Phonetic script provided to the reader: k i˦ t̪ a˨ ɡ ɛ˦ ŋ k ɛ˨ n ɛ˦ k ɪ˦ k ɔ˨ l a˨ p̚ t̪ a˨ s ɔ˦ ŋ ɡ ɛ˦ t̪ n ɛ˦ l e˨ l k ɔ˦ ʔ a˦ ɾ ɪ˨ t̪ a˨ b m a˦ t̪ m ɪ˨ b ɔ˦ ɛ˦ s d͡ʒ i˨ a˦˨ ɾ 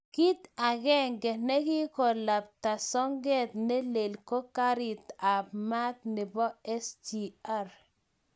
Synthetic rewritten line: k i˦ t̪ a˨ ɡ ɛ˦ ŋ ɡ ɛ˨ n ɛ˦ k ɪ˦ k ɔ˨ l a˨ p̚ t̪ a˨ s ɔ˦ ŋ ɡ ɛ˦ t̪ n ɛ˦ l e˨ l k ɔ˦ k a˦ ɾ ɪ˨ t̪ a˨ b m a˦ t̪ n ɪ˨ b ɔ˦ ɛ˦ s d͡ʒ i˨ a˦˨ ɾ